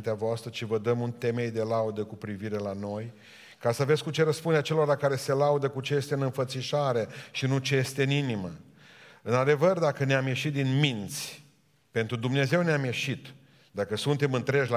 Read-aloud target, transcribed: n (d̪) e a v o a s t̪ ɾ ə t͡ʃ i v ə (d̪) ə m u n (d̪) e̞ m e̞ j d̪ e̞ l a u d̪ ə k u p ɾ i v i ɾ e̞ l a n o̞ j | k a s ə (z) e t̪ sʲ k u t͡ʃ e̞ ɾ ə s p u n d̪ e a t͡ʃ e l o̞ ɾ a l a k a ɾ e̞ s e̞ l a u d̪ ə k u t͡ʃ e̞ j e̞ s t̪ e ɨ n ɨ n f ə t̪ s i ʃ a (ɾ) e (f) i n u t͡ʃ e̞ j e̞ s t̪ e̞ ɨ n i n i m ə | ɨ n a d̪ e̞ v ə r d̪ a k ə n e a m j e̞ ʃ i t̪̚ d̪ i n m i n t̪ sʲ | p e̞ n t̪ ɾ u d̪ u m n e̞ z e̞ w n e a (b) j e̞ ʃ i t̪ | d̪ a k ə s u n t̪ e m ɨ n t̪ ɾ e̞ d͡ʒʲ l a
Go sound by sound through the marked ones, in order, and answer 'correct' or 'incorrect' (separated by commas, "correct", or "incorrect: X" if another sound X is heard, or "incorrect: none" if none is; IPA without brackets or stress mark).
incorrect: t̪, correct, incorrect: t̪, incorrect: v, correct, incorrect: ʃ, incorrect: m